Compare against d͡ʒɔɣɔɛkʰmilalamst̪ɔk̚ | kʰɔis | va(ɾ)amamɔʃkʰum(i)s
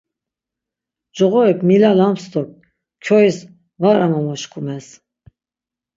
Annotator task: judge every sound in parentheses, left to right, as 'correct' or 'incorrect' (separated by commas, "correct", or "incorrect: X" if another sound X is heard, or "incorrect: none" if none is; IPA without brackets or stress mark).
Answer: correct, incorrect: ɛ